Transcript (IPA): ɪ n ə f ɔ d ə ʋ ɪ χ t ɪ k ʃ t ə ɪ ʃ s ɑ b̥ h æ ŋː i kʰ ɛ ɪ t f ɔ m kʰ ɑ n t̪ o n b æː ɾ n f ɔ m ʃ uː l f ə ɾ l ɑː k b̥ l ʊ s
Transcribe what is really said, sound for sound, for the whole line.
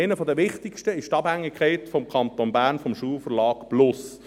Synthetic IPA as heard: ɪ n ə f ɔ d ə ʋ ɪ χ t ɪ k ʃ t ə ɪ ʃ t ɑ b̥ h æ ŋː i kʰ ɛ ɪ t f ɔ m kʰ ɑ n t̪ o n b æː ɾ n f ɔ m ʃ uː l f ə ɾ l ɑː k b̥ l ʊ s